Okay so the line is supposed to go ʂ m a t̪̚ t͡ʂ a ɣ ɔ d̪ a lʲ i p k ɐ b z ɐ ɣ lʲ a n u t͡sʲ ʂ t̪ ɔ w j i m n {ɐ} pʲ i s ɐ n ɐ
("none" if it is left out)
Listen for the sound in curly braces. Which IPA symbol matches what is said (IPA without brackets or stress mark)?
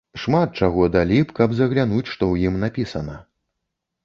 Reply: a